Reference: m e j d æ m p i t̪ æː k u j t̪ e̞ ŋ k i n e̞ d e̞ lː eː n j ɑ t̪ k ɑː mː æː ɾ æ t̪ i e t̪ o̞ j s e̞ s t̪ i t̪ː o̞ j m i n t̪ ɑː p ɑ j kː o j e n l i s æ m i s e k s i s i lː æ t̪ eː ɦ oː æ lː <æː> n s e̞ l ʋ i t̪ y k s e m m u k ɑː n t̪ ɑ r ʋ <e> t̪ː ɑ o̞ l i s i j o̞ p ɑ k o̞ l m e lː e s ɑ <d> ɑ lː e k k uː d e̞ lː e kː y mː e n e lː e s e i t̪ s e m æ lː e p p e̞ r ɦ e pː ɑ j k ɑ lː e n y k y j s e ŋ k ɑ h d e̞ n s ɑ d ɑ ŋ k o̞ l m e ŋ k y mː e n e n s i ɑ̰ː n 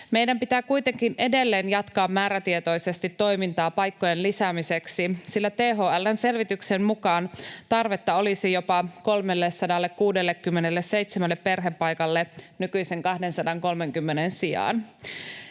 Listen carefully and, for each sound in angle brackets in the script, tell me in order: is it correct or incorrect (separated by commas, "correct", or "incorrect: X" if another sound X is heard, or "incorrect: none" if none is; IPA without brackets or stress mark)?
incorrect: æ, correct, correct